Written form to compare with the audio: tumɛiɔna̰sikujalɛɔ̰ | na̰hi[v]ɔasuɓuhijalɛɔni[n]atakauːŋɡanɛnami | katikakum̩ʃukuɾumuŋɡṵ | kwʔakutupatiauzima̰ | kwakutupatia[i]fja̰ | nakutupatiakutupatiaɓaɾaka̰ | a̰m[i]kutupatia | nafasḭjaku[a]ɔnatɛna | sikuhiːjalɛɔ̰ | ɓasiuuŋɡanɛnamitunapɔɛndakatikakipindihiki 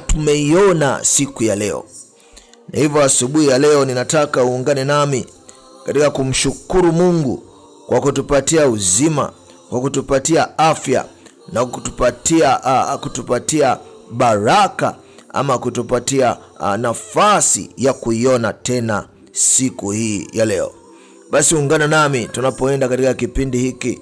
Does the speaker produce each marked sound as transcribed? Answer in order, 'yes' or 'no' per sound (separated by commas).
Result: yes, yes, no, no, no